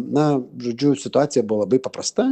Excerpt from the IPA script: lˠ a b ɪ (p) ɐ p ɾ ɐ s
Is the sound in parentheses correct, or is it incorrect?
correct